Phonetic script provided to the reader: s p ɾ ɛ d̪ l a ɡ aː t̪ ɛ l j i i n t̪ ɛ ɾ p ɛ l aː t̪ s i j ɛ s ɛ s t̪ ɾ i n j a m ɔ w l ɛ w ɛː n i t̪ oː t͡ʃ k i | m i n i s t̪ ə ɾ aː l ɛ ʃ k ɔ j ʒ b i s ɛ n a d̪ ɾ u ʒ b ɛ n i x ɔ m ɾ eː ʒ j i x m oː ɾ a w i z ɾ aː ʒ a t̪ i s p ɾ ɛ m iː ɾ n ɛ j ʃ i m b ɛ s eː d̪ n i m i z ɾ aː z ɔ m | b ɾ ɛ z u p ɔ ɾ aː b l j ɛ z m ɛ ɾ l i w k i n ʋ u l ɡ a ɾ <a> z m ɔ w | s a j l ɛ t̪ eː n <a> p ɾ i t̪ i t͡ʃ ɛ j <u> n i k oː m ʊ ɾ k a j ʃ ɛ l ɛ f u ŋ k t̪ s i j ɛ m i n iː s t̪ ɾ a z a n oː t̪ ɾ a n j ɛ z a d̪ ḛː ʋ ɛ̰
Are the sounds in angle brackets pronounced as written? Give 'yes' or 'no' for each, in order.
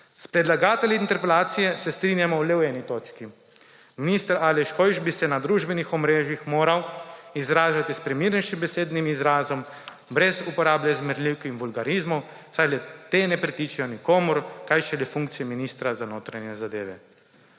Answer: no, no, no

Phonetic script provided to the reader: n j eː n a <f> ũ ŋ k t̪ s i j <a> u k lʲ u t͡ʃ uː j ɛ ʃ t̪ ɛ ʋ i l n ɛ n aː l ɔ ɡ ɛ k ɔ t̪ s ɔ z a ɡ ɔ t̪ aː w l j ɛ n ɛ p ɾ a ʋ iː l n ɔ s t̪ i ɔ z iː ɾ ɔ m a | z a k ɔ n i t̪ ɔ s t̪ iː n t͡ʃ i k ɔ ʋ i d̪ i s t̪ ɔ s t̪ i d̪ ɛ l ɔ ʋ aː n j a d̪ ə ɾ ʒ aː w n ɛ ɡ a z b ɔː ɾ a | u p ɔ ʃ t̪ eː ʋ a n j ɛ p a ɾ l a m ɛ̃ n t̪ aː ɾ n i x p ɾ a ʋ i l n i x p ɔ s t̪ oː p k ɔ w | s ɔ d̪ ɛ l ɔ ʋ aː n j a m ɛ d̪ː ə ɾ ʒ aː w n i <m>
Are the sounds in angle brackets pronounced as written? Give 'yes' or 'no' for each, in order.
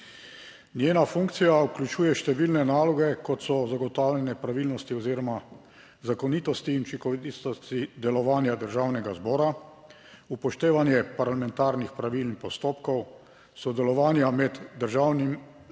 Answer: yes, yes, yes

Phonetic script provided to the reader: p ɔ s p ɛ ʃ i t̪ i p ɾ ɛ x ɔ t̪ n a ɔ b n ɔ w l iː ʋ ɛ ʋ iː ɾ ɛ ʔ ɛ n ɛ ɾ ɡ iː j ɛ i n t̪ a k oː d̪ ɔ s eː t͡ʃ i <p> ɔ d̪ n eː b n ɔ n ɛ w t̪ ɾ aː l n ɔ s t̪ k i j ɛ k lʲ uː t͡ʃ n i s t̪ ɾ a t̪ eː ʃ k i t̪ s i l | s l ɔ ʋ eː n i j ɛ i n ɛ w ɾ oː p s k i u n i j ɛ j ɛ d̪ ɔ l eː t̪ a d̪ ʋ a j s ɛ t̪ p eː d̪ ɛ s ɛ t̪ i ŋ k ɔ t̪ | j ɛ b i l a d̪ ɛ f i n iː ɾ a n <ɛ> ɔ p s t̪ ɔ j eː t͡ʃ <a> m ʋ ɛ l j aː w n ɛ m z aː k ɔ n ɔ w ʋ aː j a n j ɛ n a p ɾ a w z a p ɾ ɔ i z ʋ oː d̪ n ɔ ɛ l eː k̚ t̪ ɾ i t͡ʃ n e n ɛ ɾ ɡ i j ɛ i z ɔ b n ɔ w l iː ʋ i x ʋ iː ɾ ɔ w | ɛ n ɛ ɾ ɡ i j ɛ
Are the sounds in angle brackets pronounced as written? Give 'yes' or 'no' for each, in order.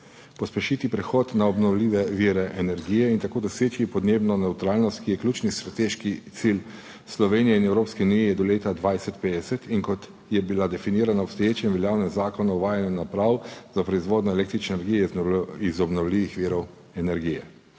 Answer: yes, no, no

